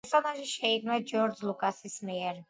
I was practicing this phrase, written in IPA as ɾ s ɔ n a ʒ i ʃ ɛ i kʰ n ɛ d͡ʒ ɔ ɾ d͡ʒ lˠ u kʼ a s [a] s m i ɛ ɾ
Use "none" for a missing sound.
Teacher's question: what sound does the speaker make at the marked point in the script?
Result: i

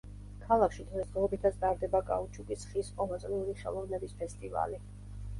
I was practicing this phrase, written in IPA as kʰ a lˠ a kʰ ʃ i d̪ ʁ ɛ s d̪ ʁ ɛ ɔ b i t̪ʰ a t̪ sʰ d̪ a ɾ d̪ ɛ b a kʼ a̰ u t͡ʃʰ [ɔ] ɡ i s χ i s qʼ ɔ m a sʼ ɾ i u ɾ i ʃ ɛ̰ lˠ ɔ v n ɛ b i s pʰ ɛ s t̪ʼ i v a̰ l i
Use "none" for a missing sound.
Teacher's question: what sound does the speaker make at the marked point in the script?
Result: u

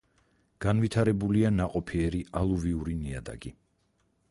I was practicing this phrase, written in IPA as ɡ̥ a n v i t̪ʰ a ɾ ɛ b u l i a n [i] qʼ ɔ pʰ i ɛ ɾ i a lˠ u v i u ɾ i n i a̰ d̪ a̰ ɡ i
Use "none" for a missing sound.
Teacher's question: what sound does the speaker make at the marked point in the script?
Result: a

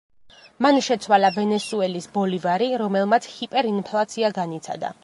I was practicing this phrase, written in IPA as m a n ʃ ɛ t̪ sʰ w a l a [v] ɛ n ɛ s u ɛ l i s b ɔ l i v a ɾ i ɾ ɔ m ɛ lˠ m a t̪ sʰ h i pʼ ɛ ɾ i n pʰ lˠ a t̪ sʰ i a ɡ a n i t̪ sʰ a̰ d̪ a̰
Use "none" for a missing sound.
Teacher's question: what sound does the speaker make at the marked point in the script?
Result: v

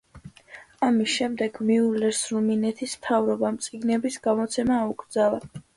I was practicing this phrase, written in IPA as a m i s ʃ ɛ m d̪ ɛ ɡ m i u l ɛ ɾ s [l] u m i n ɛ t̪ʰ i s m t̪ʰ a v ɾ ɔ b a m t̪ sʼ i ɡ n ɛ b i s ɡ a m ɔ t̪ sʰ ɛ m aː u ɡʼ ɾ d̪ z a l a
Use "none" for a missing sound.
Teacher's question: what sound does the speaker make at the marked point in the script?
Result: ɾ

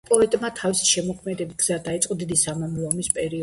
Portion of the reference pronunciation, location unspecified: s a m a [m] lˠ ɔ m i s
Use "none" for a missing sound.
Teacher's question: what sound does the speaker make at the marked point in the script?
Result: m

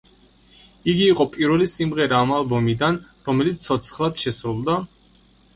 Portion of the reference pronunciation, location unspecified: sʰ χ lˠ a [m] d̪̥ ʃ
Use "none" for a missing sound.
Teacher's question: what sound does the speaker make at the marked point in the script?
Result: none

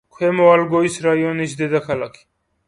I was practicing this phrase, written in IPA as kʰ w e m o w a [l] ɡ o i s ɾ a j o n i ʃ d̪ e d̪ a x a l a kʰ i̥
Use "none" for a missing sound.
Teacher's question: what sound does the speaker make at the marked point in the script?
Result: l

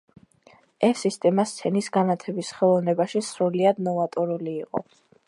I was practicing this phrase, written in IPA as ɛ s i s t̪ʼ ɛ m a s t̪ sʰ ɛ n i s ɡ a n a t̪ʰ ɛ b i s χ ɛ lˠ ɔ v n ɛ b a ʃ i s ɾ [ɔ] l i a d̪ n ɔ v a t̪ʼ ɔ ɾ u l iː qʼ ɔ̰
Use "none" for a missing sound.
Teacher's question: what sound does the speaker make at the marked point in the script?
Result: u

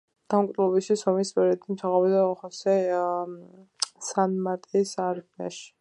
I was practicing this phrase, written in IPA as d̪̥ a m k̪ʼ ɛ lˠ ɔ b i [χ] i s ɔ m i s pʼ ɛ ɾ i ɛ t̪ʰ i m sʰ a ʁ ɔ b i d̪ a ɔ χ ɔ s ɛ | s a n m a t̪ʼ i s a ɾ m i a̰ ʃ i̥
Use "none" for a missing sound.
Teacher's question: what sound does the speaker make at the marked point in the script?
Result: ʃ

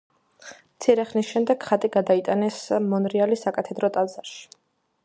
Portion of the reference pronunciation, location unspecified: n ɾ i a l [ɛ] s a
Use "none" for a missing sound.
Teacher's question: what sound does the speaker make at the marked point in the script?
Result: i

